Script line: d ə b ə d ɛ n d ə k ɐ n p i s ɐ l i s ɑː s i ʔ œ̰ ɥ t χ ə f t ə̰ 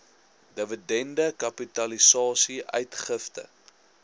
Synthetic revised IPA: d ə v ə d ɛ n d ə k ɐ p i t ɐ l i s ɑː s i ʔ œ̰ ɥ t χ ə f t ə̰